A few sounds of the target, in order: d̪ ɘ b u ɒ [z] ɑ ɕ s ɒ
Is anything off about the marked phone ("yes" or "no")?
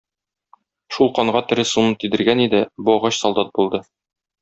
yes